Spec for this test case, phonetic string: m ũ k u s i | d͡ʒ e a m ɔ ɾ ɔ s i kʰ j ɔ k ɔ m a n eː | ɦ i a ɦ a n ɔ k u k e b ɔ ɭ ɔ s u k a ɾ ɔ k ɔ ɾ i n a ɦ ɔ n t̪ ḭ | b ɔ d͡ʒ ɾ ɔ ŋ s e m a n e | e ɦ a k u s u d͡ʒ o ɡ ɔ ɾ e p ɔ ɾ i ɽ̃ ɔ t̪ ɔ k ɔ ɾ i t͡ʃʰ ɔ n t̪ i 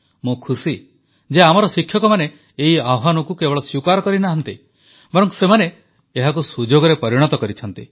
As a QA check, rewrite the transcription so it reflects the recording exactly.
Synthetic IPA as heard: m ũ kʰ u s i | d͡ʒ e a m ɔ ɾ ɔ s i kʰ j ɔ k ɔ m a n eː | ɦ i a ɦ a n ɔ k u k e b ɔ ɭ ɔ s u k a ɾ ɔ k ɔ ɾ i n a ɦ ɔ n t̪ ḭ | b ɔ ɾ ɔ ŋ s e m a n e | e ɦ a k u s u d͡ʒ o ɡ ɔ ɾ e p ɔ ɾ i ɽ̃ ɔ t̪ ɔ k ɔ ɾ i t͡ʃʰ ɔ n t̪ i